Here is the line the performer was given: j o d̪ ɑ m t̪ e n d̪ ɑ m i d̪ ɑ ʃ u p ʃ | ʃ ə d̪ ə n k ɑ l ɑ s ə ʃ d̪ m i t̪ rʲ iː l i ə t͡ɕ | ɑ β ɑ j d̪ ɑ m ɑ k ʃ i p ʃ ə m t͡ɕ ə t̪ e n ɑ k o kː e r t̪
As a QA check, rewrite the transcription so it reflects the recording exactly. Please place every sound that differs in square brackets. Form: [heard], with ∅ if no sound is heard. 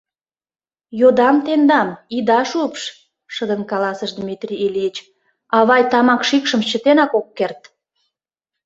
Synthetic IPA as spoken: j o d̪ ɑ m t̪ e n d̪ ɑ m i d̪ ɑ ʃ u p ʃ | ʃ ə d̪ ə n k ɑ l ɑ s ə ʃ d̪ m i t̪ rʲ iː l i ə t͡ɕ | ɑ β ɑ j [t̪] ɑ m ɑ k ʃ i [k] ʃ ə m t͡ɕ ə t̪ e n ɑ k o kː e r t̪